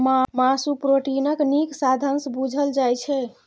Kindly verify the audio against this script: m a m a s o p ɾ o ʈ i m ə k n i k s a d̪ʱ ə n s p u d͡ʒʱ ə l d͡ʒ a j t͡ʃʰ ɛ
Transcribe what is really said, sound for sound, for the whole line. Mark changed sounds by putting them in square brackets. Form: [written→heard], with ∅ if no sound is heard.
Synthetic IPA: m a m a s [o→u] p ɾ o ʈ i [m→n] ə k n i k s a d̪ʱ ə n s [p→b] u d͡ʒʱ ə l d͡ʒ a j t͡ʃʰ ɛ

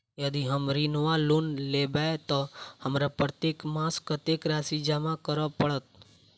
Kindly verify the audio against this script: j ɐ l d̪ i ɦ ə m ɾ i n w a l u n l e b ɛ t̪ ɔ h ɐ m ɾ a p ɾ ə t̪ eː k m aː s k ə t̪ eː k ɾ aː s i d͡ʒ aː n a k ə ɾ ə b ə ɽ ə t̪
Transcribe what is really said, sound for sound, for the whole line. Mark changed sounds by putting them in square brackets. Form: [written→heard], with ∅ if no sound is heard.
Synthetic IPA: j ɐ [l→∅] d̪ i ɦ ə m ɾ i n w a l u n l e b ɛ t̪ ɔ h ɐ m ɾ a p ɾ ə t̪ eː k m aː s k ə t̪ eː k ɾ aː s i d͡ʒ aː [n→m] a k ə ɾ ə [b→p] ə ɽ ə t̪

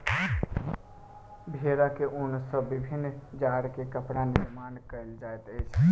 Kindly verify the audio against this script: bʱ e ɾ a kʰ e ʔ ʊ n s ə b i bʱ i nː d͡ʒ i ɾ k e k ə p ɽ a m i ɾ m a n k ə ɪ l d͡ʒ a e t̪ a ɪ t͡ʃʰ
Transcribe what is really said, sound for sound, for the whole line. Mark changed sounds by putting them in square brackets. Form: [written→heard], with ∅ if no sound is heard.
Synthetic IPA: bʱ e ɾ a [kʰ→k] e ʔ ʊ n s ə b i bʱ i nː d͡ʒ [i→a] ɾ k e k ə p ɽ a [m→n] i ɾ m a n k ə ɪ l d͡ʒ a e t̪ [a→ə] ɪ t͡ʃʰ

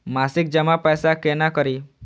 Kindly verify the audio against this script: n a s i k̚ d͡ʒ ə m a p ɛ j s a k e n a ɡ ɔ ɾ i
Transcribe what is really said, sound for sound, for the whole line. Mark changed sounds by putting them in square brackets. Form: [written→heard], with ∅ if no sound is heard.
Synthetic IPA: [n→m] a s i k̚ d͡ʒ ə m a p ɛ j s a k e n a [ɡ→k] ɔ ɾ i

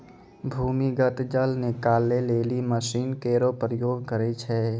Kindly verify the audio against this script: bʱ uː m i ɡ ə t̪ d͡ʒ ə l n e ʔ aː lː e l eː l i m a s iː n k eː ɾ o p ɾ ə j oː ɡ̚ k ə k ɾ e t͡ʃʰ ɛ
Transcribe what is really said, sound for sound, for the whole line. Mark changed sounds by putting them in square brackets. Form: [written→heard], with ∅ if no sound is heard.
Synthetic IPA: bʱ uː m i ɡ ə t̪ d͡ʒ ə l n e [ʔ→k] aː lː e l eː l i m [a→ə] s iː n k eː ɾ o p ɾ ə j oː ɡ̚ k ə [k→∅] ɾ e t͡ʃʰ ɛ

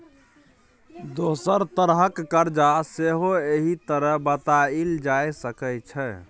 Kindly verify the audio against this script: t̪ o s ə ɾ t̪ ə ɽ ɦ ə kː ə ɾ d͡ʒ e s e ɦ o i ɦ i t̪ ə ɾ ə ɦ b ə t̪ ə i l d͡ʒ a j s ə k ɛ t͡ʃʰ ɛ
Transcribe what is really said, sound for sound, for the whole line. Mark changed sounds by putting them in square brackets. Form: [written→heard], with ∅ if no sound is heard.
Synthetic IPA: [t̪→d̪] o s ə ɾ t̪ ə [ɽ→ɾ] ɦ ə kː ə ɾ d͡ʒ [e→a] s e ɦ o [i→e] ɦ i t̪ ə ɾ ə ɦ b ə t̪ [ə→a] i l d͡ʒ a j s ə k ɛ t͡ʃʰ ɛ

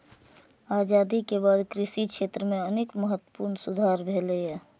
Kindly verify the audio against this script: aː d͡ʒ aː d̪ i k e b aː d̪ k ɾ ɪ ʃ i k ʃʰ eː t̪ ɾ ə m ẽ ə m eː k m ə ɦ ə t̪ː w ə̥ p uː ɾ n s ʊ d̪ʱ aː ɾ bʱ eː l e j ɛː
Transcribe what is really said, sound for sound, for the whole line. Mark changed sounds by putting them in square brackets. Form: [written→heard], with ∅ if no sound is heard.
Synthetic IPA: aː d͡ʒ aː d̪ i k e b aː d̪ k ɾ ɪ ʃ i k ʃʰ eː t̪ ɾ ə m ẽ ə [m→n] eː k m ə ɦ ə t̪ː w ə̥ p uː ɾ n s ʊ d̪ʱ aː ɾ bʱ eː l e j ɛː

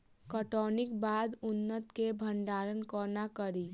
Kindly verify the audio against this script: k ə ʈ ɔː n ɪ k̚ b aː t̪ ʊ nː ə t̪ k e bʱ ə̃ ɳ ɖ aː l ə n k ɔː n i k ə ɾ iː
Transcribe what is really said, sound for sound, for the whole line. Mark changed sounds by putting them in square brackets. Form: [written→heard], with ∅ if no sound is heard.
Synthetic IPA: k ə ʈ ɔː n ɪ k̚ b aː [t̪→d̪] ʊ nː ə t̪ k e bʱ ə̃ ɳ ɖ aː [l→ɾ] ə n k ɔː n [i→a] k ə ɾ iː

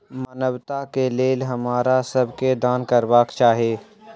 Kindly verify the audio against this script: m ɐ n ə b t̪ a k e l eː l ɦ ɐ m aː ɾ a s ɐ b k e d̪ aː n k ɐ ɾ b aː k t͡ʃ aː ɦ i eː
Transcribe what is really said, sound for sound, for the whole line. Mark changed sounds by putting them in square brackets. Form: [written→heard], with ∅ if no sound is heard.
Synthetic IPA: m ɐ n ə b t̪ a k e l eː l ɦ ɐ m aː ɾ a s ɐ b k e d̪ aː n k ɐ ɾ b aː k t͡ʃ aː ɦ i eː

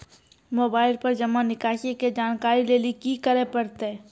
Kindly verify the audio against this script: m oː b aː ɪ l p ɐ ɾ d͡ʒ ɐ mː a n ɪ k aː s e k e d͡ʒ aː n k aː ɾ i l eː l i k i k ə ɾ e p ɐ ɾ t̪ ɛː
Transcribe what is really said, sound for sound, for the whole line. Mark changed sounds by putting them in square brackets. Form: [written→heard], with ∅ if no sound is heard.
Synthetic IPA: m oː b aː ɪ l p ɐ ɾ d͡ʒ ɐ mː a n ɪ k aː [s→ʃ] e k e d͡ʒ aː n k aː ɾ i l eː l i k i k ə ɾ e p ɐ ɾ t̪ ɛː

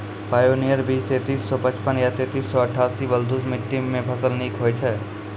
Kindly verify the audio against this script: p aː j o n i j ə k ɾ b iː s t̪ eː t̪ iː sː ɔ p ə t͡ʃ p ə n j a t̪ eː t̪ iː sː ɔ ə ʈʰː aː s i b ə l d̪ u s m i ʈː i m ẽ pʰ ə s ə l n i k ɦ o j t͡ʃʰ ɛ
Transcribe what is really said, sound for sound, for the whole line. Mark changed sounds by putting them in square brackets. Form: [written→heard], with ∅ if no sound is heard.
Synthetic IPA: p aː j o n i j ə [k→∅] ɾ b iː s t̪ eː t̪ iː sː ɔ p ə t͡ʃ p ə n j a t̪ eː t̪ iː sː ɔ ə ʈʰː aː s i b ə l d̪ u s m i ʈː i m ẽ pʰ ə s ə l n i k ɦ o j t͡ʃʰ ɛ

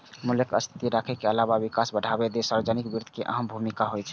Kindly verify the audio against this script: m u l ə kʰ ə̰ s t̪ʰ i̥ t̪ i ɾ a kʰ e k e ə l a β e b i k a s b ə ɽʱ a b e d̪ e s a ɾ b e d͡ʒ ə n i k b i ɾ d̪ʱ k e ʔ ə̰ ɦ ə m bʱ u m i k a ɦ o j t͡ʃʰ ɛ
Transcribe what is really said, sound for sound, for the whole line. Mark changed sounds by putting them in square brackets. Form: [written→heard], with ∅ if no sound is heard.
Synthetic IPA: m u l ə [kʰ→k] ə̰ s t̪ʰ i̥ t̪ i ɾ a kʰ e k e ə l a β [e→a] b i k a s b ə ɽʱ a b e d̪ e s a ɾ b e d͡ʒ ə n i k b i ɾ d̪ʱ k e ʔ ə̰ ɦ ə m bʱ u m i k a ɦ o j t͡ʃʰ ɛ

